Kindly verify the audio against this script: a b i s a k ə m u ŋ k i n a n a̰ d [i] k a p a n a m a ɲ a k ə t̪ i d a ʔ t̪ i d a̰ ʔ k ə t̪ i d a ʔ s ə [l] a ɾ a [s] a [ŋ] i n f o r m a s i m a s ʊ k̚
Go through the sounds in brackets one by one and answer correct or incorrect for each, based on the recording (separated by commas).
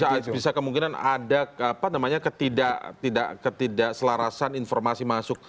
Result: incorrect, correct, correct, incorrect